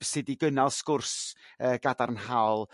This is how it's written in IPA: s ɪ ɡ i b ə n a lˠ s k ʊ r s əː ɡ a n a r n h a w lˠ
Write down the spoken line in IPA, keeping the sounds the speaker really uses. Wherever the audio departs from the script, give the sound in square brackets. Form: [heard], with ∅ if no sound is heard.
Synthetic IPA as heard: s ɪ [d] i [ɡ] ə n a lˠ s k ʊ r s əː ɡ a [d] a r n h a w lˠ